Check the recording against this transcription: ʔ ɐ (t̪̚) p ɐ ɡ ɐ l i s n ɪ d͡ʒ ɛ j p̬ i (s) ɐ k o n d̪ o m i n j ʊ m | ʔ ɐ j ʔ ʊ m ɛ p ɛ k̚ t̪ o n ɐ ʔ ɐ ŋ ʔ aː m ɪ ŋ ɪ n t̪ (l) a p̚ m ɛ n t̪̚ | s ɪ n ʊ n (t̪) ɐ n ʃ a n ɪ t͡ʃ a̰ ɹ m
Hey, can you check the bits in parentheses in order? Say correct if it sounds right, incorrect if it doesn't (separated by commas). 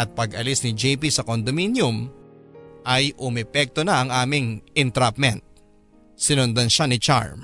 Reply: correct, correct, incorrect, incorrect